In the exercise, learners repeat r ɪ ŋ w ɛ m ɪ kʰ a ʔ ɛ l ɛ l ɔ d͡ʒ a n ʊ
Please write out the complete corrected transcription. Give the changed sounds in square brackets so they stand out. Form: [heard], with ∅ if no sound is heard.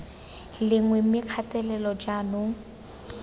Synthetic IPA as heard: [l] ɪ ŋ w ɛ m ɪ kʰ a [t] ɛ l ɛ l ɔ d͡ʒ a n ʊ